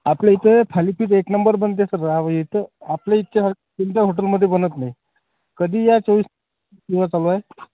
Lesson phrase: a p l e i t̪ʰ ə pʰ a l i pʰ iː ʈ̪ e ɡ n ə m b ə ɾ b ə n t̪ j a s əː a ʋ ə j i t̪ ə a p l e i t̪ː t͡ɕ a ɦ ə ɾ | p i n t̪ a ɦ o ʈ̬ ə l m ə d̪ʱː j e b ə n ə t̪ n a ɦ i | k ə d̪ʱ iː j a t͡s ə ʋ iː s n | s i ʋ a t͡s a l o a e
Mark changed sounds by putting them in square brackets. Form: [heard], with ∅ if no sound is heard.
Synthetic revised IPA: a p l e i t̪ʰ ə pʰ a l i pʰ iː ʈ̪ e [k] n ə m b ə ɾ b ə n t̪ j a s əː a ʋ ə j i t̪ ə a p l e i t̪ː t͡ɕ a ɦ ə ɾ | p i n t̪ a ɦ o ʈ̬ ə l m ə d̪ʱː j e b ə n ə t̪ n a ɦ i | k ə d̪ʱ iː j a t͡s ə ʋ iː s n | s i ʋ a t͡s a l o a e